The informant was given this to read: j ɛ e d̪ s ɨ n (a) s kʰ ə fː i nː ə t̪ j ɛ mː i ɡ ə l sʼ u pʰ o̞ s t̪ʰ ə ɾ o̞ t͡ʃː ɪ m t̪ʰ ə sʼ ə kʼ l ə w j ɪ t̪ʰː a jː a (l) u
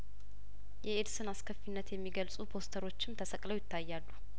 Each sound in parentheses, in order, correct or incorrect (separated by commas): correct, incorrect